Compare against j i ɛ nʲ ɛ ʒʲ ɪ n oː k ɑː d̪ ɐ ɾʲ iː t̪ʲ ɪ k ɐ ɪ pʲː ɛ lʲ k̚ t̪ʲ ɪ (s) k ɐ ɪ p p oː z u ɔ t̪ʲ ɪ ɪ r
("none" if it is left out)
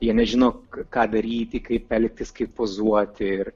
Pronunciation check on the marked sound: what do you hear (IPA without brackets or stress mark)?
s